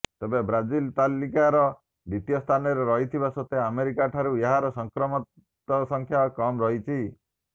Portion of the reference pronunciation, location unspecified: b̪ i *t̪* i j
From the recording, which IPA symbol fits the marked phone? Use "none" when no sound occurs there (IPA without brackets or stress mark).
t̪